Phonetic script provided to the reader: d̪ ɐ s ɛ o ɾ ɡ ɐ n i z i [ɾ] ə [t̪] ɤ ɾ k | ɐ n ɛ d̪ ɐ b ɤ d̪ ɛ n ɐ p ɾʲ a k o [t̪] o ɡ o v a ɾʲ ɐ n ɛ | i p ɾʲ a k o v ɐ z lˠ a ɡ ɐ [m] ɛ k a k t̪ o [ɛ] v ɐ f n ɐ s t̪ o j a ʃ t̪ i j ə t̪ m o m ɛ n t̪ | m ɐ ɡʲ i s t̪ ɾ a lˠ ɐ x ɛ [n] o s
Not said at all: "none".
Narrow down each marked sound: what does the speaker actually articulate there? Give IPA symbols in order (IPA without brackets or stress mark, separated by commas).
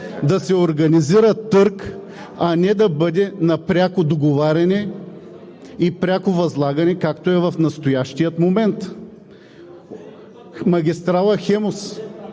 ɾ, t̪, d̪, n, ɛ, m